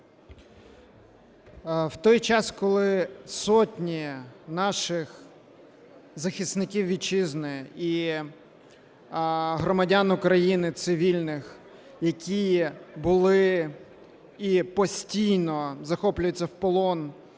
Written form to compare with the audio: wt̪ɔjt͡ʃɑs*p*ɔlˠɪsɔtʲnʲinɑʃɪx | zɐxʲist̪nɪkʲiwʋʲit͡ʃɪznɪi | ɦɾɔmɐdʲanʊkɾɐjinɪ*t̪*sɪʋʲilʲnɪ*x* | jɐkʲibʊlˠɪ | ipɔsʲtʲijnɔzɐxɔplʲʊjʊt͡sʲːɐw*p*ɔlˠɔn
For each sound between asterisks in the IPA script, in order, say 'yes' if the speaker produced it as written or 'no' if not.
no, yes, yes, yes

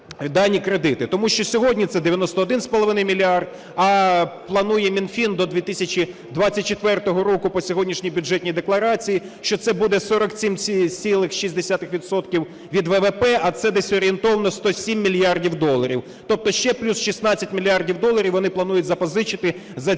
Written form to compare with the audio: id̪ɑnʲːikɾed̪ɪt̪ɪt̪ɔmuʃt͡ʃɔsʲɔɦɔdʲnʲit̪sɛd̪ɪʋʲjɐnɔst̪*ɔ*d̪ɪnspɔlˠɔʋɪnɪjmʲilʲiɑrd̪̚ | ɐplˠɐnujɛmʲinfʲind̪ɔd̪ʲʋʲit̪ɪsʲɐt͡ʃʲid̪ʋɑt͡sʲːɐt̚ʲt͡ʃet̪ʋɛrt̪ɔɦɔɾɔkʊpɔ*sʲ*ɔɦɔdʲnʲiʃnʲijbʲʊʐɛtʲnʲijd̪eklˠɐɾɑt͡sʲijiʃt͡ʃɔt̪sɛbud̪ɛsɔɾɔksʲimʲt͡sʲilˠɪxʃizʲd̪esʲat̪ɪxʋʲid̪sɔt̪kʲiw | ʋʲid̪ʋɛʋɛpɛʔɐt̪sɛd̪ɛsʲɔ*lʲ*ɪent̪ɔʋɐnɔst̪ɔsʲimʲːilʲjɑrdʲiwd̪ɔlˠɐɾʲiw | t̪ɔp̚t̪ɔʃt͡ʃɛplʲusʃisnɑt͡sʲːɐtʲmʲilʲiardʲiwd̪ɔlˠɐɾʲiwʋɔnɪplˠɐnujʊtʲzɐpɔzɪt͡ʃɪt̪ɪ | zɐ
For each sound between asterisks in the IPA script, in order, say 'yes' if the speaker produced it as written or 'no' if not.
no, yes, no

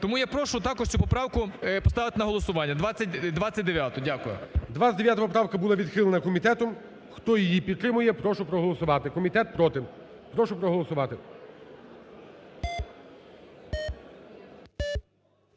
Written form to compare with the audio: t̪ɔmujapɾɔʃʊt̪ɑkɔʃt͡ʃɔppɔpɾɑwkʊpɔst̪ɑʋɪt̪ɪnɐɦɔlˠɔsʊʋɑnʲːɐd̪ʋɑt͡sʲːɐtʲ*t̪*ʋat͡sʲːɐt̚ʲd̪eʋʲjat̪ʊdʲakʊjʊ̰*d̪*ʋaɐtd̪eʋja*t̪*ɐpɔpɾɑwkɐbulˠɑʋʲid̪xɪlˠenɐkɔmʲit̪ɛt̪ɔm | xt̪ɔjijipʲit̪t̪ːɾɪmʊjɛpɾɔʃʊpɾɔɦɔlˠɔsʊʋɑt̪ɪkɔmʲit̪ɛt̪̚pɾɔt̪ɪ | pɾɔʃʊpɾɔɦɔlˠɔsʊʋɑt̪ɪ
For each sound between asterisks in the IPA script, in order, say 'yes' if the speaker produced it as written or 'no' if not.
no, yes, yes

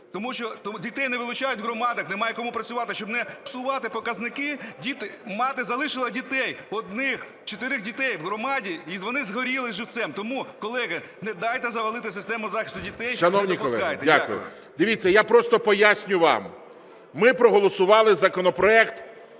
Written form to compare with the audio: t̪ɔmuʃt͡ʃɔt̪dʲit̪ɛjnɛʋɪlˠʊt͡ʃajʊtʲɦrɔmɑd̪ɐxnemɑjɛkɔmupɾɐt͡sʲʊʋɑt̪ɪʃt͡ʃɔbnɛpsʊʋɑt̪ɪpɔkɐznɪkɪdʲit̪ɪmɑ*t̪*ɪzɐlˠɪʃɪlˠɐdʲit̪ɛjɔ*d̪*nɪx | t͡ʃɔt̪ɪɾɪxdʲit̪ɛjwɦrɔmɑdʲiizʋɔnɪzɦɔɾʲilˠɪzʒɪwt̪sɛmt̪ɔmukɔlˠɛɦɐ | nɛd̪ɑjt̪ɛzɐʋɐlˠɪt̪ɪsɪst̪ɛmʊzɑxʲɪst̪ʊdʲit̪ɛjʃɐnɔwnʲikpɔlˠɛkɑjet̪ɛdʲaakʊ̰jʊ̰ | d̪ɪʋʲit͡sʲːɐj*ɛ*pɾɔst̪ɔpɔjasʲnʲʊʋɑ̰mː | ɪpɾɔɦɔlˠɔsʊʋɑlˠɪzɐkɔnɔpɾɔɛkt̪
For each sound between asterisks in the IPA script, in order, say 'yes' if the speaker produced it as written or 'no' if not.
yes, yes, no

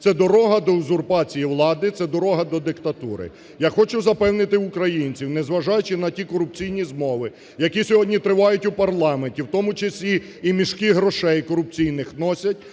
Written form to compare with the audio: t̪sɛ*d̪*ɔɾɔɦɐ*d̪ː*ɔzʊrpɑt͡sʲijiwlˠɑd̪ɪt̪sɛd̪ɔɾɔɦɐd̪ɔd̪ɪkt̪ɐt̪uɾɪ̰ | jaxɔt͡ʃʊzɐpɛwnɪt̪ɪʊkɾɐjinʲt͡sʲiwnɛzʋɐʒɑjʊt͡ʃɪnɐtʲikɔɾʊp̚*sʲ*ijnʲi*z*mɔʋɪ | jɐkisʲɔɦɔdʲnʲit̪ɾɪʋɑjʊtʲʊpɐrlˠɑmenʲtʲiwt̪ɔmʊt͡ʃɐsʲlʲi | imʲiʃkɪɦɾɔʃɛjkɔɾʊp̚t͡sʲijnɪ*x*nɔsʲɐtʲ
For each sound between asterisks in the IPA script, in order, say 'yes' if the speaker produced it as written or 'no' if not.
yes, no, no, yes, yes

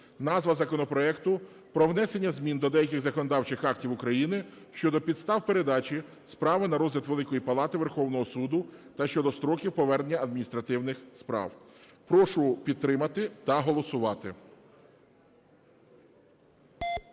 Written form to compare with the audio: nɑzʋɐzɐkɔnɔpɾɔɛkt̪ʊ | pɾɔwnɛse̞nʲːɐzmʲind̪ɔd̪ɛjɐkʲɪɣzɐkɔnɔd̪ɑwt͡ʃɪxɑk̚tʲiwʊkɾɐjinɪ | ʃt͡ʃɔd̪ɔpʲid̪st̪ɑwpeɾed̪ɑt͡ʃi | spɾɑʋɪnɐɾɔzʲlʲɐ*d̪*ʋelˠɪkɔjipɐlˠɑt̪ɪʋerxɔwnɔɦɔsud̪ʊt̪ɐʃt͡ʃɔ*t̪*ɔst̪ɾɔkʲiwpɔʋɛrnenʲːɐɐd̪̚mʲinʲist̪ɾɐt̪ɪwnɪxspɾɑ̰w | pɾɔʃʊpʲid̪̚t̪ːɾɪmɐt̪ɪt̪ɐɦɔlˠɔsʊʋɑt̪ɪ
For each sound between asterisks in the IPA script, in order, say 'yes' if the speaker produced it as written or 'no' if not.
no, no

